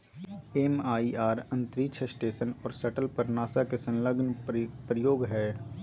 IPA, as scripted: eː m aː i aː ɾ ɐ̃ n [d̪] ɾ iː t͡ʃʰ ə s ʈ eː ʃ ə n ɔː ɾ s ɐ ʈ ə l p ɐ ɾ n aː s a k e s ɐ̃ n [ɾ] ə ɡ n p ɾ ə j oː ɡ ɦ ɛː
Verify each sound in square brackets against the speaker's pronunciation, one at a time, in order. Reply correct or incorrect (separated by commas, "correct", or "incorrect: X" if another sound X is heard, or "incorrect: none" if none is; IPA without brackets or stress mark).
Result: incorrect: t̪, incorrect: l